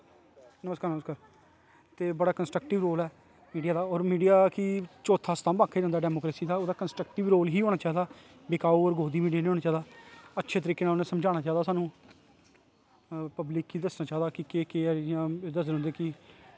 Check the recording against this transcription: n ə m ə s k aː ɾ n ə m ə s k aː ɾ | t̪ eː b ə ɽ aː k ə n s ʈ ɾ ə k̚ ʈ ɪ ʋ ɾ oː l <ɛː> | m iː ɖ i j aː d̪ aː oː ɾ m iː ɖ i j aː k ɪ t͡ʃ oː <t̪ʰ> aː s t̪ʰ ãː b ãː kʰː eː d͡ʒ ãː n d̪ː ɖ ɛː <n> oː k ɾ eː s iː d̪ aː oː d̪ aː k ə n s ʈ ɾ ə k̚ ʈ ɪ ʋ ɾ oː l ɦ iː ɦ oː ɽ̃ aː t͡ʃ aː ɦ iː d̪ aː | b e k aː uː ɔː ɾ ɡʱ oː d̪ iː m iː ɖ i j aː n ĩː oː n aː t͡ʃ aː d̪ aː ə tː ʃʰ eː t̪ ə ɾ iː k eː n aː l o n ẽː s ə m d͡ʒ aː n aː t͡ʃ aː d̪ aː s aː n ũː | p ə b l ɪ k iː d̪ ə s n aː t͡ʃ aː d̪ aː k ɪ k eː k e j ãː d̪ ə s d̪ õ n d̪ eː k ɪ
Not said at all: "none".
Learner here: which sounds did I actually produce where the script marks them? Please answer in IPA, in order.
ɛː, t̪ʰ, m

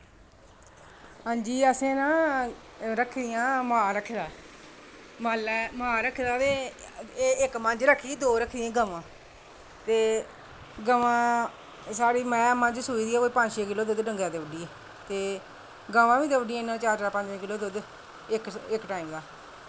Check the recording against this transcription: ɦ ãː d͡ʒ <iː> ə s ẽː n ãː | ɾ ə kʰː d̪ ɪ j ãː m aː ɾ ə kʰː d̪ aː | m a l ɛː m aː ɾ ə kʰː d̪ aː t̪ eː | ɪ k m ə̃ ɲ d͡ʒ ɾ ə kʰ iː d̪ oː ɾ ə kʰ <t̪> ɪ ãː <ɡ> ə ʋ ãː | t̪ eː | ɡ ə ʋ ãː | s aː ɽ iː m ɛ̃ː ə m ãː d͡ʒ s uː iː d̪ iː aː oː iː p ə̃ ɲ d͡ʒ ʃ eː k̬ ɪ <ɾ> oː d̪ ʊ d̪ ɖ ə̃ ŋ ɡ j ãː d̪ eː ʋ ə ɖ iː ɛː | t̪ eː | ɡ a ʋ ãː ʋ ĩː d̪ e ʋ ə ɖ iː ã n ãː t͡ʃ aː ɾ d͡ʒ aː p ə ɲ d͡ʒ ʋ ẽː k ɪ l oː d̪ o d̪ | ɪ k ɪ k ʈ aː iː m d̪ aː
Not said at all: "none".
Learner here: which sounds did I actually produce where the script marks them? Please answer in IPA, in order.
iː, d̪, ɡ, l

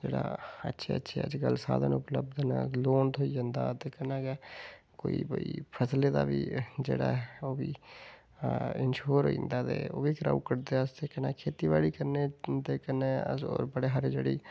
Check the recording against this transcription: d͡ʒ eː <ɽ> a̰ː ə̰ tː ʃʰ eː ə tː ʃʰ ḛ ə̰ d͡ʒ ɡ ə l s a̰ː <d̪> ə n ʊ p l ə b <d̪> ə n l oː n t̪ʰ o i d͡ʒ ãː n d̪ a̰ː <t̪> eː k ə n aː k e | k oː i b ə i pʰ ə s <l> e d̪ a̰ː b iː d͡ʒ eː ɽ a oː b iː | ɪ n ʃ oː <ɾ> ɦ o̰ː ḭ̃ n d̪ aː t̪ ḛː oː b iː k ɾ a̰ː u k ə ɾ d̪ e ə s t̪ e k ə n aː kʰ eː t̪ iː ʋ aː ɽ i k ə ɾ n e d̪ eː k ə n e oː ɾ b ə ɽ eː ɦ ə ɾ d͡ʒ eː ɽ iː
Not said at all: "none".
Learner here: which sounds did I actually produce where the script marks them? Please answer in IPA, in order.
ɽ, d̪, d̪, t̪, l, ɾ

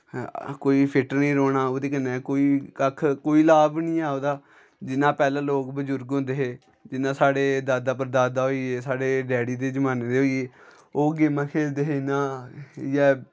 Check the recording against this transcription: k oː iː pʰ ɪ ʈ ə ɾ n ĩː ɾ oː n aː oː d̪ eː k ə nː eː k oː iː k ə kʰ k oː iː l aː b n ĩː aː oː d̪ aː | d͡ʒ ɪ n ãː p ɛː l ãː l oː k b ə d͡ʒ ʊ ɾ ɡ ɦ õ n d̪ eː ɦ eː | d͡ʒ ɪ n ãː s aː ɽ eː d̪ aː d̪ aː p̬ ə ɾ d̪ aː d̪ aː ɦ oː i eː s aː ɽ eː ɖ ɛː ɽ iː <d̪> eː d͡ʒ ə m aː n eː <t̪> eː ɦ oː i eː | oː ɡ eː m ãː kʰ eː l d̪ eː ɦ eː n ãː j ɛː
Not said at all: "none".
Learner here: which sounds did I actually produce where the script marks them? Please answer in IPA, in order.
d̪, d̪

